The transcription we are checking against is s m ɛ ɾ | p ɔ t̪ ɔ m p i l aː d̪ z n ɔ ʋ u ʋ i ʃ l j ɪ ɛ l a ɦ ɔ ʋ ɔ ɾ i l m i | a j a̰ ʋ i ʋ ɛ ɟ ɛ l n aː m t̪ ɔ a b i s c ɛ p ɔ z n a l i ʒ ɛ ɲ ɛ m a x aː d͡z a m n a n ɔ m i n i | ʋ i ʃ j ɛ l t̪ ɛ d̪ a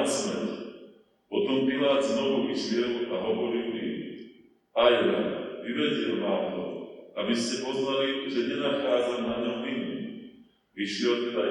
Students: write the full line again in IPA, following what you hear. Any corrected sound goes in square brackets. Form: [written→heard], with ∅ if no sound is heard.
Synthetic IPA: s m ɛ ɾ | p ɔ t̪ ɔ m p i l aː d̪ z n ɔ ʋ u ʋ i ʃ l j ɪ ɛ l a ɦ ɔ ʋ ɔ ɾ i l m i | a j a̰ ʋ i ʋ ɛ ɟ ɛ l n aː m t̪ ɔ a b i s c ɛ p ɔ z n a l i ʒ ɛ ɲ ɛ [m→n] a x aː d͡z a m n a [n→ɲ] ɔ m i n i | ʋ i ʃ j ɛ l t̪ ɛ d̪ a